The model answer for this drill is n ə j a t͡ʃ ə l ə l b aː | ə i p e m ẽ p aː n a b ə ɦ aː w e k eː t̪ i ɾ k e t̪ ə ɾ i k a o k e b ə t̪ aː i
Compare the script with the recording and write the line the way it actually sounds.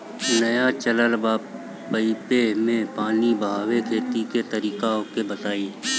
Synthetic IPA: n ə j a t͡ʃ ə l ə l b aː | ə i p e m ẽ p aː n i b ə ɦ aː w e kʰ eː t̪ i k e t̪ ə ɾ iː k a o k e b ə t̪ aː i